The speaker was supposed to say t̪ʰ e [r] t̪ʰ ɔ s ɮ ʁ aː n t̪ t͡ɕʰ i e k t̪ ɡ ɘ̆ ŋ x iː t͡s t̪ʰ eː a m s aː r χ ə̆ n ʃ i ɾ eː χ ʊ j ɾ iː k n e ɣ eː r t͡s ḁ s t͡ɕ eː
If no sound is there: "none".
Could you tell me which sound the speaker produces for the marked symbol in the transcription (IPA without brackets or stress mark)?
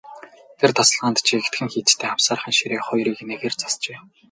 r